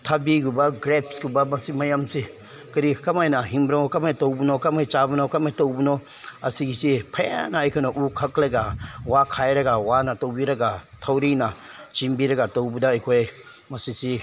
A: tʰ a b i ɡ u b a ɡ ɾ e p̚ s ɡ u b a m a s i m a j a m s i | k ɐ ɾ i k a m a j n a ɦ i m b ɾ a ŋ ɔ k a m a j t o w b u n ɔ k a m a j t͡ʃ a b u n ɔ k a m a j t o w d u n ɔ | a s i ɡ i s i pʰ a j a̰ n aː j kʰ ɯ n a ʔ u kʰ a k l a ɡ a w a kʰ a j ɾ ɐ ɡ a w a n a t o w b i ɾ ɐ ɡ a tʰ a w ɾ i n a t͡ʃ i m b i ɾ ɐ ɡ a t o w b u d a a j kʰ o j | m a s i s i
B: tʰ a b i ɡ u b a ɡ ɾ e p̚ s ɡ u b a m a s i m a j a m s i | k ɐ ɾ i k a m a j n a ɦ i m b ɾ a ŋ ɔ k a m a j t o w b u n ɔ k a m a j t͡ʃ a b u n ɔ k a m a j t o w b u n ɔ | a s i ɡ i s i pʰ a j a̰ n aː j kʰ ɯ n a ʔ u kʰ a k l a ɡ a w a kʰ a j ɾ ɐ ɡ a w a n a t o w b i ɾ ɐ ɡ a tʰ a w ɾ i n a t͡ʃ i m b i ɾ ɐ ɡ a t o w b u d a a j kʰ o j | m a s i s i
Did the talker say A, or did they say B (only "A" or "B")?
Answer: B